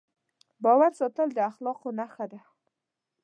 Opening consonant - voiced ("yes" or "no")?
yes